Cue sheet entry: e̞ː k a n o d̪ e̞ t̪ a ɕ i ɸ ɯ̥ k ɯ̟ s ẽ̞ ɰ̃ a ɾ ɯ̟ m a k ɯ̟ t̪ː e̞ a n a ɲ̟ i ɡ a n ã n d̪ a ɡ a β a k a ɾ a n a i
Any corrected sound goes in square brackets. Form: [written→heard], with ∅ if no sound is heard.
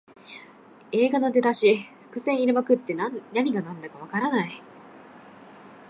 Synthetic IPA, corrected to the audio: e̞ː [k→ɡ] a n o d̪ e̞ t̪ a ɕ i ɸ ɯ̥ k ɯ̟ s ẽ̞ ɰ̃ [a→i] ɾ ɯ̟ m a k ɯ̟ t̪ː e̞ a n a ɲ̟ i ɡ a n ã n d̪ a [ɡ→k] a β a k a ɾ a n a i